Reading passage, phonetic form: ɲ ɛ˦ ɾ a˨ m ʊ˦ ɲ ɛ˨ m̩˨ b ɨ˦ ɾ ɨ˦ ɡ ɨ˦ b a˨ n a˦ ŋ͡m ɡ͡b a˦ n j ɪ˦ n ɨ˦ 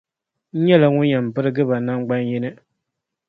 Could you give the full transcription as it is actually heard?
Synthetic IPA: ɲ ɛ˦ l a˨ ŋ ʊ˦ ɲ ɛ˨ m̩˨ b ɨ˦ ɾ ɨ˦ ɡ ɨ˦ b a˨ n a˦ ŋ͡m ɡ͡b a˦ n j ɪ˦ n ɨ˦